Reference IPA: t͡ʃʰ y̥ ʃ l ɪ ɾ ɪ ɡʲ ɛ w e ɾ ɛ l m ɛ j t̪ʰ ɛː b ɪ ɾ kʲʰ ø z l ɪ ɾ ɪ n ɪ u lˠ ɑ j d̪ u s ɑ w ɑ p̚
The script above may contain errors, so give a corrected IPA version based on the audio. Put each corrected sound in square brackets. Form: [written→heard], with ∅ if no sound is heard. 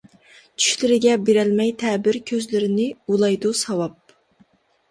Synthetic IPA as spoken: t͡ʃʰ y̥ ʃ l ɪ ɾ ɪ ɡʲ ɛ [w→b] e ɾ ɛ l m ɛ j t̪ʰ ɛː b ɪ ɾ kʲʰ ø z l ɪ ɾ ɪ n ɪ u lˠ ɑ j d̪ u s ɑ w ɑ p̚